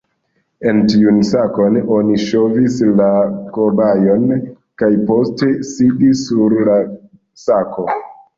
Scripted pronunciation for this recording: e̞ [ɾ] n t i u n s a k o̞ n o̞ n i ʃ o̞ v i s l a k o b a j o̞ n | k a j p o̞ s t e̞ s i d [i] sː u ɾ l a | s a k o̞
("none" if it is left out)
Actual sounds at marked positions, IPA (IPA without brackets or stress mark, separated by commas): none, i